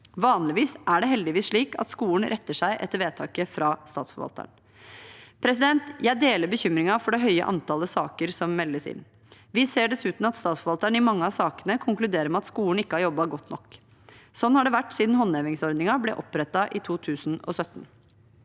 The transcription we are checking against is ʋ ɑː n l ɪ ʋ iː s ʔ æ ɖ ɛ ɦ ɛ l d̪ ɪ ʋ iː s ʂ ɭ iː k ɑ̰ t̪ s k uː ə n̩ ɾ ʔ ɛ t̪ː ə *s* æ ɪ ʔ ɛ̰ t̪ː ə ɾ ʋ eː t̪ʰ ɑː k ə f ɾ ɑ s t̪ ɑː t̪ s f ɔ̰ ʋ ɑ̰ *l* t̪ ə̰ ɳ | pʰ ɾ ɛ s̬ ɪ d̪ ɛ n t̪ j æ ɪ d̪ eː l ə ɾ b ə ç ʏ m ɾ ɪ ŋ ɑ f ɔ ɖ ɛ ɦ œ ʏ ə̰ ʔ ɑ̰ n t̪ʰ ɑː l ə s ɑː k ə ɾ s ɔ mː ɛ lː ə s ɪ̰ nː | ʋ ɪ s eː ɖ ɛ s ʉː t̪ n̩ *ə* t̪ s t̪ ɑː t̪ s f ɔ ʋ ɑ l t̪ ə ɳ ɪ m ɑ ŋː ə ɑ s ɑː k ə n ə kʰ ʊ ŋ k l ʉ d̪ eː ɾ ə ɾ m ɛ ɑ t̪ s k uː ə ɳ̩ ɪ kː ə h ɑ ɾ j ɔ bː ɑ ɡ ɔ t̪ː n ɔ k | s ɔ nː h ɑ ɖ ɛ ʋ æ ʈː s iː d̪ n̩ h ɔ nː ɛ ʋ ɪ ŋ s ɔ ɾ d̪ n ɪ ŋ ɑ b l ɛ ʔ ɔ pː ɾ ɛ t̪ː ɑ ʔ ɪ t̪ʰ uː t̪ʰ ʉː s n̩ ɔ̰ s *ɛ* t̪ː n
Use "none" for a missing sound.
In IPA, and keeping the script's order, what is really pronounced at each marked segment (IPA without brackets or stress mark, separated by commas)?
ʂ, l, ɑ, œ